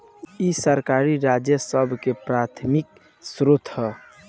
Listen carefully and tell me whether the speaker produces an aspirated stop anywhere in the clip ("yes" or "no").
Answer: yes